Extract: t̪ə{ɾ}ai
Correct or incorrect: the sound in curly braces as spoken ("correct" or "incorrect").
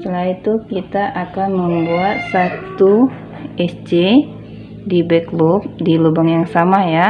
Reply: incorrect